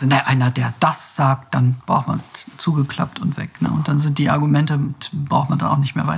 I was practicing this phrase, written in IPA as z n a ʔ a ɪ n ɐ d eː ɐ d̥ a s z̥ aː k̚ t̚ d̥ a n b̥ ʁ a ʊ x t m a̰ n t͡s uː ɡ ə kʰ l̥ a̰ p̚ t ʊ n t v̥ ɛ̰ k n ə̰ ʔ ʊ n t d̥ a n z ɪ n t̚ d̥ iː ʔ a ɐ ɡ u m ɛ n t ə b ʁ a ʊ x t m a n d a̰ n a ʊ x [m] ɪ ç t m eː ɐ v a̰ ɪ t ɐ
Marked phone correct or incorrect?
incorrect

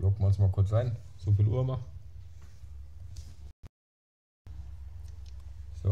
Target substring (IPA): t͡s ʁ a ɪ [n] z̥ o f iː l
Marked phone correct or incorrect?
correct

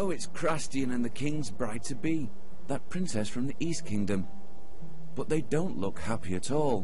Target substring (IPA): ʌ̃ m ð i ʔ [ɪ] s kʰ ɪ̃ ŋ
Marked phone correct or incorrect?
incorrect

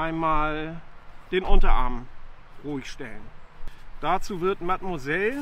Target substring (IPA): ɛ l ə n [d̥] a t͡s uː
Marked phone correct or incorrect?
correct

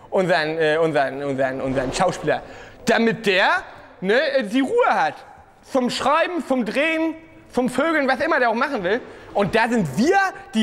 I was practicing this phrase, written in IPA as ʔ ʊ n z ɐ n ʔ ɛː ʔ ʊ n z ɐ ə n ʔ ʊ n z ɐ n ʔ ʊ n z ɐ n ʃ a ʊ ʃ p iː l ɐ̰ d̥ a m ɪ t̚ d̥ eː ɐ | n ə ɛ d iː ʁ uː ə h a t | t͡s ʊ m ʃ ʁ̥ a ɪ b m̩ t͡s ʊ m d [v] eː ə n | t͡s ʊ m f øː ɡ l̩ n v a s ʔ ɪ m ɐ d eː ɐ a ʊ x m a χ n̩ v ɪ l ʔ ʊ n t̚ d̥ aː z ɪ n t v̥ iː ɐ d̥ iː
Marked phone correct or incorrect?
incorrect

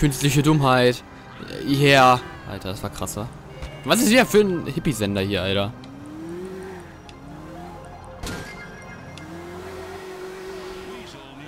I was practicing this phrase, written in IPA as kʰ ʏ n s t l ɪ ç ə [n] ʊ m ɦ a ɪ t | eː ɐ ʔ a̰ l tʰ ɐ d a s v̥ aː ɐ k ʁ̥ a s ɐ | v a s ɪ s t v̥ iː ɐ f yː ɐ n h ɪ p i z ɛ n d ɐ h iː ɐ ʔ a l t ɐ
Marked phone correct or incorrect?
incorrect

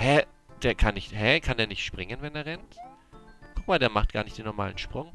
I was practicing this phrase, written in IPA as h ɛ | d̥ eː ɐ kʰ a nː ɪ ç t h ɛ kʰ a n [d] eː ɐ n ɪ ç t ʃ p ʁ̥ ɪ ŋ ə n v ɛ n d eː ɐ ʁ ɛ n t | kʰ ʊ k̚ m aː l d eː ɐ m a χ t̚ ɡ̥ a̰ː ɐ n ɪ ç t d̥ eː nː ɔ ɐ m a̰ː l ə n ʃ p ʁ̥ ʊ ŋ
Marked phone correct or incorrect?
correct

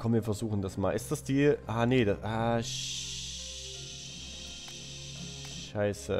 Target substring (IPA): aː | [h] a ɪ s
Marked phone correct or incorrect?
incorrect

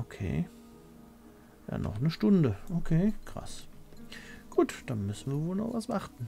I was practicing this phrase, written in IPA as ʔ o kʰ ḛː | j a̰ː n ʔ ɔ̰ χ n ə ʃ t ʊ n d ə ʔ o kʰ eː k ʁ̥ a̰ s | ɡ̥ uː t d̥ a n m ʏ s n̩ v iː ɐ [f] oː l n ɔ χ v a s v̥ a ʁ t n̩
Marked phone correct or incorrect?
incorrect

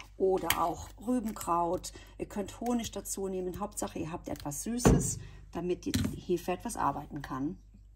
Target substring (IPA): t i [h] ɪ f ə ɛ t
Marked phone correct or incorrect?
correct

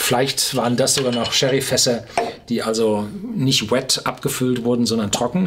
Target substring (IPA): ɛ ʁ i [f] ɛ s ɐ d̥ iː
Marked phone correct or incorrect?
correct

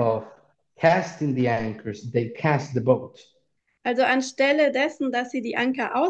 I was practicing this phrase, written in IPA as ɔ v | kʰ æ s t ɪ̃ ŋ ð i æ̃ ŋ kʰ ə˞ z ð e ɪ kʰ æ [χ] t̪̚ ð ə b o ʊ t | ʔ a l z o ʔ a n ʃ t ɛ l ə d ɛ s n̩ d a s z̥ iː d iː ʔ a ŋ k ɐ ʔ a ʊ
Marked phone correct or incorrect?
incorrect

